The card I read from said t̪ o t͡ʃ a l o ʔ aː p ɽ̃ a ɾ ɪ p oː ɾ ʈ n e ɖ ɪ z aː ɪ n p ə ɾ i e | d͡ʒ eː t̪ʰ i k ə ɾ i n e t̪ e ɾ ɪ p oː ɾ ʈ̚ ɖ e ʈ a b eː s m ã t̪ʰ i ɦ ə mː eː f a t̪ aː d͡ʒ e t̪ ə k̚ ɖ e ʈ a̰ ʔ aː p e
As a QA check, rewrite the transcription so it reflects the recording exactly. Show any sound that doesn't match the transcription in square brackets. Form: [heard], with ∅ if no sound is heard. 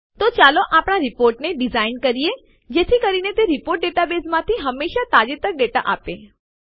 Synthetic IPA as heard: t̪ o t͡ʃ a l o ʔ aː p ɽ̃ a ɾ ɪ p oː ɾ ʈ n e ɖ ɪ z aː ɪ n [k] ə ɾ i e | d͡ʒ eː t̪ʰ i k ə ɾ i n e t̪ e ɾ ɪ p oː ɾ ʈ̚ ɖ e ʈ a b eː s m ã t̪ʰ i ɦ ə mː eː [ʃ] a t̪ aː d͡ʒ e t̪ ə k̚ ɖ e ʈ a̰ ʔ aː p e